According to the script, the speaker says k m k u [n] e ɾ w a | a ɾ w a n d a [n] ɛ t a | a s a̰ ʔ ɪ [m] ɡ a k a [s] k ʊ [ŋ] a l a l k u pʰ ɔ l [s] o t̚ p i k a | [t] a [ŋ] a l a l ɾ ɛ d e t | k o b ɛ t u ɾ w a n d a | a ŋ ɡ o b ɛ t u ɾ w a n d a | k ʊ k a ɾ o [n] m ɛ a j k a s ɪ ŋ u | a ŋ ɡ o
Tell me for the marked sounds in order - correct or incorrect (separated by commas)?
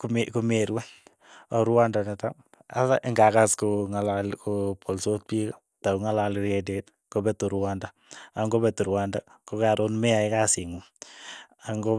incorrect, correct, incorrect, correct, correct, correct, correct, correct, correct